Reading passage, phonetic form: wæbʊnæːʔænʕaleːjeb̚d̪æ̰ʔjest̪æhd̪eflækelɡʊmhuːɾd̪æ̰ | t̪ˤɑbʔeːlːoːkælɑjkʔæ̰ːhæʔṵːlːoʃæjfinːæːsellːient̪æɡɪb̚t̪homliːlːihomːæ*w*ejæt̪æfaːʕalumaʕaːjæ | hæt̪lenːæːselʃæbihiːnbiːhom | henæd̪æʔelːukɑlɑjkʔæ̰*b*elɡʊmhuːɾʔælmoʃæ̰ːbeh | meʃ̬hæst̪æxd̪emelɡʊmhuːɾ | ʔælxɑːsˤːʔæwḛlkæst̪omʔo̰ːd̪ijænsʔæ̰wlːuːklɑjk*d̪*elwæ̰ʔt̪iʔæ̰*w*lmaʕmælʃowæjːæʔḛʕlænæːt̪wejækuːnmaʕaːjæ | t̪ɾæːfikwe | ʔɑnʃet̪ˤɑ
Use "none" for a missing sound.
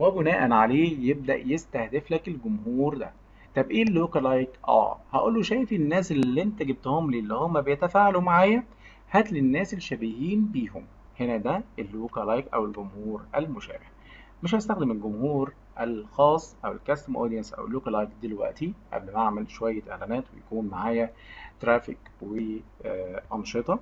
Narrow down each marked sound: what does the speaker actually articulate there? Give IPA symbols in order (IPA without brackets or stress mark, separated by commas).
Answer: b, w, d̪, b